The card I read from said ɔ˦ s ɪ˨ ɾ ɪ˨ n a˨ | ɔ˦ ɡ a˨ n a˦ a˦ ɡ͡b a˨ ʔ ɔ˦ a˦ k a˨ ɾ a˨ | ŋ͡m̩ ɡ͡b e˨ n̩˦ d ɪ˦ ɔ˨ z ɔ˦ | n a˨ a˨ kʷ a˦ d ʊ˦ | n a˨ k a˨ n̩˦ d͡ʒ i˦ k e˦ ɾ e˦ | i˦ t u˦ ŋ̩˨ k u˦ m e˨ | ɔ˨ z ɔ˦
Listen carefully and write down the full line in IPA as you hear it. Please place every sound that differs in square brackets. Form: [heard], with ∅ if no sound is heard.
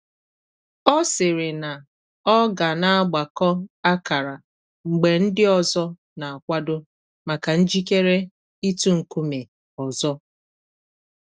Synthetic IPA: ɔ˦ s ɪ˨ ɾ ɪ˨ n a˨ | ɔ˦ ɡ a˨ n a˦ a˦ ɡ͡b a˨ [k] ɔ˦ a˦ k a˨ ɾ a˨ | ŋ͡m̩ ɡ͡b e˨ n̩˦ d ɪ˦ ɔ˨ z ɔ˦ | n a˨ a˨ kʷ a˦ d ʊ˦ | [m] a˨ k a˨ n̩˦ d͡ʒ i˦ k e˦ ɾ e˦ | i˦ t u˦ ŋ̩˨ k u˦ m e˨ | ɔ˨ z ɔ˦